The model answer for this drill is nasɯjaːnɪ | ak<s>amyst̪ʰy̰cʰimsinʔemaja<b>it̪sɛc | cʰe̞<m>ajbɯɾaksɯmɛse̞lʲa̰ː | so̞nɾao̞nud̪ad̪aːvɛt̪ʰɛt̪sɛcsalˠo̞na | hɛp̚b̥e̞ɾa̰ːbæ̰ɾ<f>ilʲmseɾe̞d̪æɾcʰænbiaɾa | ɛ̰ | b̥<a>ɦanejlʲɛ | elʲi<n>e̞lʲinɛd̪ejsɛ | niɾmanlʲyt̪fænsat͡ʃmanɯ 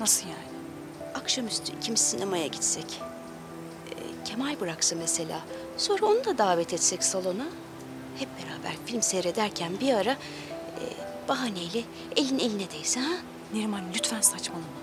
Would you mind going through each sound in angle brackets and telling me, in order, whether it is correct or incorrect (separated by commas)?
incorrect, incorrect, correct, correct, correct, correct